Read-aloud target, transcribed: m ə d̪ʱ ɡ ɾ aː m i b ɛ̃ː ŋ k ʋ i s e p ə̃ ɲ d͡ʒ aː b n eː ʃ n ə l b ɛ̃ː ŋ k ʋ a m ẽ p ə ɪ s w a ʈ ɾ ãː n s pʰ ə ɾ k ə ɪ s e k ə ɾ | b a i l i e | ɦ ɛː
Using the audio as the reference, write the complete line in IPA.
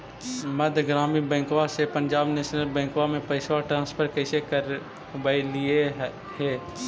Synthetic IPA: m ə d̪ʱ ɡ ɾ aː m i b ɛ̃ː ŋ k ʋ a s e p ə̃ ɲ d͡ʒ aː b n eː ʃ n ə l b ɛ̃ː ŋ k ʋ a m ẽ p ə ɪ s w a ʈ ɾ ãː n s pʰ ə ɾ k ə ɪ s e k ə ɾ | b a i l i e | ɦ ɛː